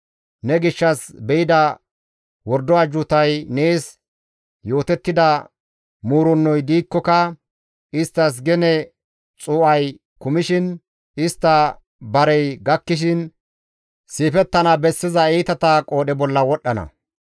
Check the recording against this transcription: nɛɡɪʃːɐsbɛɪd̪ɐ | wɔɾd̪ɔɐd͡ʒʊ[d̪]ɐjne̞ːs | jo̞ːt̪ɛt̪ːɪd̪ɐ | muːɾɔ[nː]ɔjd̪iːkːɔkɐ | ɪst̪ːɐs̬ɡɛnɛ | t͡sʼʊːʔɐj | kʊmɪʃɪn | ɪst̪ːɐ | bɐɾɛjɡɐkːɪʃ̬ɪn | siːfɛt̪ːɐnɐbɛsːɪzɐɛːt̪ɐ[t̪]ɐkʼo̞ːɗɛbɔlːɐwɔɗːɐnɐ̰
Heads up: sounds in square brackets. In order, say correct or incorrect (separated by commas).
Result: incorrect, correct, correct